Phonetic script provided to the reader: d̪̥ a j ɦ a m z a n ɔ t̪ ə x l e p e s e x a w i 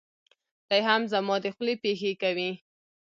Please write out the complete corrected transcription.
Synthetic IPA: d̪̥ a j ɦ a m z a m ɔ d̪ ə x l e p e x e k a w i